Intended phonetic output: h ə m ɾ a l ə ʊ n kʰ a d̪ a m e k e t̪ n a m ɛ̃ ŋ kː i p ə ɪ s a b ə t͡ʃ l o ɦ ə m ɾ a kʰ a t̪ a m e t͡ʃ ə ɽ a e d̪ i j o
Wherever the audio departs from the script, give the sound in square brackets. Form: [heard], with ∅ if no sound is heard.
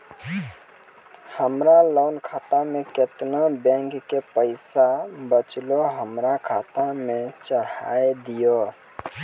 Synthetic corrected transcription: h ə m ɾ a l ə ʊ n kʰ a [t̪] a m e k e t̪ n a [b] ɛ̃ ŋ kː [e] p ə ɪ s a b ə t͡ʃ l o ɦ ə m ɾ a kʰ a t̪ a m e t͡ʃ ə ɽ a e d̪ i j o